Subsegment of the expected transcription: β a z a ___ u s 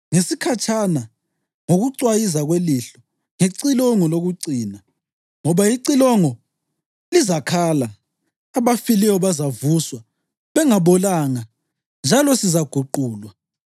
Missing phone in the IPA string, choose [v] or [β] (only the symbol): v